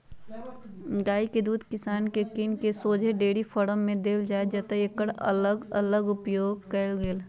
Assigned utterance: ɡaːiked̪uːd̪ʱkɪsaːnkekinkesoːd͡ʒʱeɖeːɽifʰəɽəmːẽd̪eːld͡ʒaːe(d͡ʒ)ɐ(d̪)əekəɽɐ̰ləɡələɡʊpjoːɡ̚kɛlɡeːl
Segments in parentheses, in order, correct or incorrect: correct, incorrect

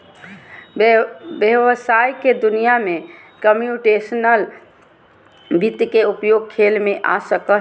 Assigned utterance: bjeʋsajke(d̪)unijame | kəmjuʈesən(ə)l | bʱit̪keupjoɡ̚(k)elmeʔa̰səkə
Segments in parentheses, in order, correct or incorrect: correct, correct, incorrect

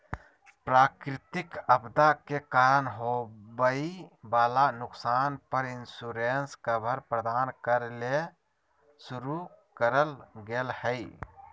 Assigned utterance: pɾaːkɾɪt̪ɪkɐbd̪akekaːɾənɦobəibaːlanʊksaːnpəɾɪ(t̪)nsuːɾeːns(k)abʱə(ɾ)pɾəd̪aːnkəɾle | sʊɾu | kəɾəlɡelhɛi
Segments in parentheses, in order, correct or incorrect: incorrect, correct, correct

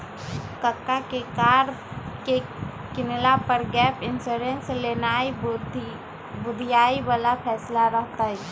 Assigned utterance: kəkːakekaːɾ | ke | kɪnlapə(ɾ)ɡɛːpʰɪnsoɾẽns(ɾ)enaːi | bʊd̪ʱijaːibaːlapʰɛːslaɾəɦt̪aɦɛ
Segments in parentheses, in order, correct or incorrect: correct, incorrect

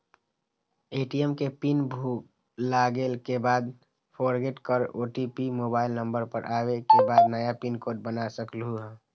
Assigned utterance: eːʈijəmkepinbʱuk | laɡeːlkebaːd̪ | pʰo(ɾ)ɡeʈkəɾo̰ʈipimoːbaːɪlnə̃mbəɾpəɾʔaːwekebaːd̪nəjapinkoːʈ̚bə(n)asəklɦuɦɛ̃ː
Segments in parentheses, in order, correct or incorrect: correct, correct

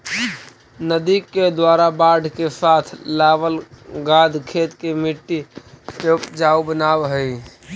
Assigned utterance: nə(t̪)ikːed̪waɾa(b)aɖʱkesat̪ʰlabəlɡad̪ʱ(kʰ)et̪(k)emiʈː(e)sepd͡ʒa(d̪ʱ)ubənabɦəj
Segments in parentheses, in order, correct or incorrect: incorrect, correct, correct, correct, incorrect, incorrect

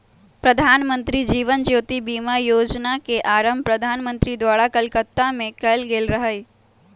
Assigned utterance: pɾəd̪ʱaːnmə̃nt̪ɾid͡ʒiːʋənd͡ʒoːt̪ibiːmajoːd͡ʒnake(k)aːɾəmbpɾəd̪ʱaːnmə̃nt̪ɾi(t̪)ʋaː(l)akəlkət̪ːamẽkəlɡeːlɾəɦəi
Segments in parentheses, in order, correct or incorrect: incorrect, incorrect, incorrect

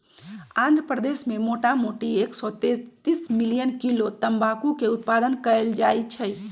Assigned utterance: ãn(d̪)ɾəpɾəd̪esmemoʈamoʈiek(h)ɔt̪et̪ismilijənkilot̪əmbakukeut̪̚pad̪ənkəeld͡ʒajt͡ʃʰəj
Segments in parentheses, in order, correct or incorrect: correct, incorrect

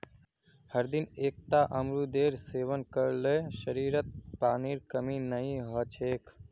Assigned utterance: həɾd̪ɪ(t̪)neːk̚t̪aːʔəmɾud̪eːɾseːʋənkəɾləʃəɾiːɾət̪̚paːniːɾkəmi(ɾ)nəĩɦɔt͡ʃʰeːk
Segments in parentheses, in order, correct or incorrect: incorrect, incorrect

